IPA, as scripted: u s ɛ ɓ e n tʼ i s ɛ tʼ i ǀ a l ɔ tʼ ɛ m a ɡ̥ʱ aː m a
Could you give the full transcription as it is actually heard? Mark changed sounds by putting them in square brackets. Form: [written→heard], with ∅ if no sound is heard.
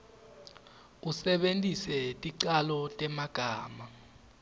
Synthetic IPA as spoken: u s ɛ ɓ e n tʼ i s ɛ tʼ i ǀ a l ɔ tʼ ɛ m a ɡ̥ʱ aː m a

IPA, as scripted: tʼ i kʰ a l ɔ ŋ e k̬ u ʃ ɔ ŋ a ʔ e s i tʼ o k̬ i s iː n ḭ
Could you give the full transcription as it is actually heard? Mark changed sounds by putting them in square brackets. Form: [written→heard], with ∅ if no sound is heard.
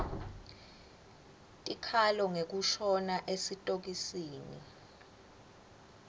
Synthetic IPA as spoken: tʼ i kʰ a l ɔ ŋ e k̬ u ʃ ɔ [ŋ→n] a ʔ e s i tʼ o k̬ i s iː n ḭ

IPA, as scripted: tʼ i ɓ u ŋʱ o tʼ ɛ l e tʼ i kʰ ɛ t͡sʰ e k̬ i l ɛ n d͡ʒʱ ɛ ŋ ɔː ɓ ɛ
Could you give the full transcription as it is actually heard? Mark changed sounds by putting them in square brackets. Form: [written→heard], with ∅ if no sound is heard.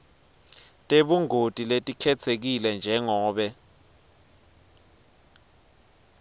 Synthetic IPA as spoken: tʼ [i→e] ɓ u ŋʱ o tʼ [ɛ→i] l e tʼ i kʰ ɛ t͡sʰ e k̬ i l ɛ n d͡ʒʱ ɛ ŋ ɔː ɓ ɛ

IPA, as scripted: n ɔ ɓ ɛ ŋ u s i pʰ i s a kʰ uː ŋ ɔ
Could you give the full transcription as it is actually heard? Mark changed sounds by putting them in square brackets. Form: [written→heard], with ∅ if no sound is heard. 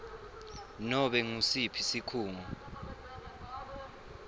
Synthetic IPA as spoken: n ɔ ɓ ɛ ŋ u s i pʰ i s [a→i] kʰ uː ŋ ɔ

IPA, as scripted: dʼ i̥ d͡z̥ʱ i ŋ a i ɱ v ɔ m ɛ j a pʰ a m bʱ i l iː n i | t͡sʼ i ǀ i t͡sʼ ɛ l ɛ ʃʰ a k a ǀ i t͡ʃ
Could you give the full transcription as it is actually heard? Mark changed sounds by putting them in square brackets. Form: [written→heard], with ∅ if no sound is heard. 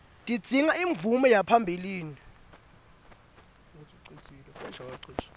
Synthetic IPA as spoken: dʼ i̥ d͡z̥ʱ i ŋ a i ɱ v [ɔ→u] m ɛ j a pʰ a m bʱ i l iː n i | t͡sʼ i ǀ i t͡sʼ [ɛ→i] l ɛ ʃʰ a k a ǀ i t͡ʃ

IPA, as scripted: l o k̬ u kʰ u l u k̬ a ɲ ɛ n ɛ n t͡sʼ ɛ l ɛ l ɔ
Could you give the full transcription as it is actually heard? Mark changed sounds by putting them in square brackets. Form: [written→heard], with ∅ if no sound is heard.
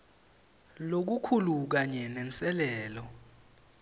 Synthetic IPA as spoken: l o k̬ u kʰ u l u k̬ a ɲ ɛ n ɛ n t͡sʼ ɛ l [ɛ→ɛː] l ɔ

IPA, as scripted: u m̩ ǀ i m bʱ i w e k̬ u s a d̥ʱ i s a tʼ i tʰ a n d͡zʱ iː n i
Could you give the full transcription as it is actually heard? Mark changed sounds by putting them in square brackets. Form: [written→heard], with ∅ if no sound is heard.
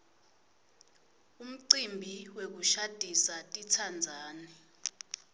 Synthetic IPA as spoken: u m̩ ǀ i m bʱ i w e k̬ u [s→ʃ] a d̥ʱ i s a tʼ i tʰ a n d͡zʱ [iː→aː] n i

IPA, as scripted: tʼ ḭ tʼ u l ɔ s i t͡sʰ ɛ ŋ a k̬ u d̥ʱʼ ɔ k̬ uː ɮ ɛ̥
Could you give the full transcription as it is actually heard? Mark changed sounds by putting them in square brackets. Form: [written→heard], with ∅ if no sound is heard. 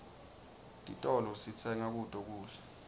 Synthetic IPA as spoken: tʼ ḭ tʼ [u→ɔ] l ɔ s i t͡sʰ ɛ ŋ a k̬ u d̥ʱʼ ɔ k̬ uː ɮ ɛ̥

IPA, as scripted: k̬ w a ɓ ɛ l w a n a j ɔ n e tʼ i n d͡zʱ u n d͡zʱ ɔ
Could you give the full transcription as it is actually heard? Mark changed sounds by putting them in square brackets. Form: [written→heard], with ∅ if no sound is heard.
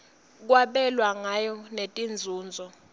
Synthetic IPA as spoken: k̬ w a ɓ ɛ l w a [n→ŋ] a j ɔ n e tʼ i n d͡zʱ [u→uː] n d͡zʱ ɔ

